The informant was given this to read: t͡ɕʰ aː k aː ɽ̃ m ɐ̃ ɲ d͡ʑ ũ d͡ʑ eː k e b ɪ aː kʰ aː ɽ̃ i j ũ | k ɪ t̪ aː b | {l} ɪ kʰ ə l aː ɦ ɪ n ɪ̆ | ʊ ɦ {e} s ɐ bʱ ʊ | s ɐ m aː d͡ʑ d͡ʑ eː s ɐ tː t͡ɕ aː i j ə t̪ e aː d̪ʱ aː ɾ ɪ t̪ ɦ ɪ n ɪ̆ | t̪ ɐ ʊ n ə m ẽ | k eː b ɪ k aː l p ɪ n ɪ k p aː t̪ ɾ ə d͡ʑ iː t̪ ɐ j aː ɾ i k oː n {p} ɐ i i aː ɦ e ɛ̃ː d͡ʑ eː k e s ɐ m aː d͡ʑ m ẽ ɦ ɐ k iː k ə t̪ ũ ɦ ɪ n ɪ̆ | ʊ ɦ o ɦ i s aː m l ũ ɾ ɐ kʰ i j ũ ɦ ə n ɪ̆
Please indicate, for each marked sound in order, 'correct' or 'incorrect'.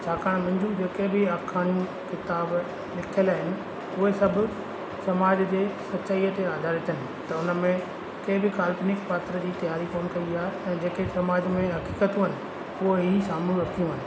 correct, correct, incorrect: k

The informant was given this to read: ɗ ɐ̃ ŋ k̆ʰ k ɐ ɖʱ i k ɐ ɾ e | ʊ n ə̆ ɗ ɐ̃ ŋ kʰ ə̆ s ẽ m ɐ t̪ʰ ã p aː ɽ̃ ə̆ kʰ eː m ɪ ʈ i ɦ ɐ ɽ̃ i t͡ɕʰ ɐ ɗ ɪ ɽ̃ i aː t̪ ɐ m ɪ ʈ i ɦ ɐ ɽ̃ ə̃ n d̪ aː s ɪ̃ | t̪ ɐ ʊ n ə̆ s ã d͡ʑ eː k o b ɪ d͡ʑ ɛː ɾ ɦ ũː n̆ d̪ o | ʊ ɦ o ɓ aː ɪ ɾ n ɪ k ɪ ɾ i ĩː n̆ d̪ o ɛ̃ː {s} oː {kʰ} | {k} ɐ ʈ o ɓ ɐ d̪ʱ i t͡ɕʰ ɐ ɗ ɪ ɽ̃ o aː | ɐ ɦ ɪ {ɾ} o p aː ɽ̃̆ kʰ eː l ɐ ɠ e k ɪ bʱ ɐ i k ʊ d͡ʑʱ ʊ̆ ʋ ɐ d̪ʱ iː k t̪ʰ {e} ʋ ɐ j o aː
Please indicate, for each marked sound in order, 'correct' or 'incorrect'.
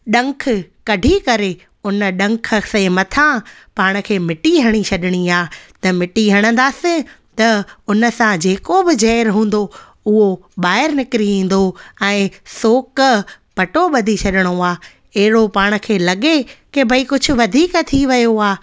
correct, incorrect: k, incorrect: p, incorrect: ɽ, incorrect: i

